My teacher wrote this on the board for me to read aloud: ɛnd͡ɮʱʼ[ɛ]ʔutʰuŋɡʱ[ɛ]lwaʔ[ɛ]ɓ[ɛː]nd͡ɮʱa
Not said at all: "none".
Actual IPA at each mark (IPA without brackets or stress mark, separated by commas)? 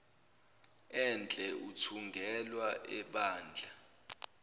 ɛ, ɛ, ɛ, aː